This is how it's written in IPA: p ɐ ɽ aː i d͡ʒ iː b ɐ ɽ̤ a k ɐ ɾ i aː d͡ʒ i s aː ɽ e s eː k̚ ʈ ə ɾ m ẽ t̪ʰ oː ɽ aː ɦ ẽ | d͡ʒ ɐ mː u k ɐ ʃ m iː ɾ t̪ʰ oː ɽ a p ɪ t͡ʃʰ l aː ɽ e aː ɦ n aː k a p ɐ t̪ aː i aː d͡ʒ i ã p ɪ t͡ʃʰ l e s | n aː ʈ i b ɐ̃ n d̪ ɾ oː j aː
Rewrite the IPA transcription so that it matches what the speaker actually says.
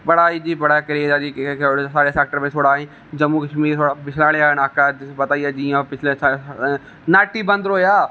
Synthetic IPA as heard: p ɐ ɽ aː i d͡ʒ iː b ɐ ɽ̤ a k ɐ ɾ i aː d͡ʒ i s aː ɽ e s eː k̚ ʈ ə ɾ m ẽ t̪ʰ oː ɽ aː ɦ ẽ | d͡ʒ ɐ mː u k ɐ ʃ m iː ɾ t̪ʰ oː ɽ a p ɪ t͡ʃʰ l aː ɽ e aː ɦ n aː k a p ɐ t̪ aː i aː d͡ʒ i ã p ɪ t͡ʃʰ l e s | n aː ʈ i b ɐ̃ n d̪ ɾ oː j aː